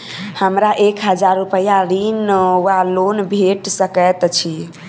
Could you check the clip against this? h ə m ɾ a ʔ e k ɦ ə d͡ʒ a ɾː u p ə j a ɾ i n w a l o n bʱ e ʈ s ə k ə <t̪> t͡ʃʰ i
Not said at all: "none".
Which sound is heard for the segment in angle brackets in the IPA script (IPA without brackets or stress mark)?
t̪